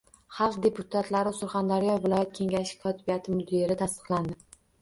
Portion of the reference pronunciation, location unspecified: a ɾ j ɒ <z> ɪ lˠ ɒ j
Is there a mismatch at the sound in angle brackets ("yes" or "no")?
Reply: yes